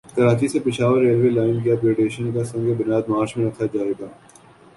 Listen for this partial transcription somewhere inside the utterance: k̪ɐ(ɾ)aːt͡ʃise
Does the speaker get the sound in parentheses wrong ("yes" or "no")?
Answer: no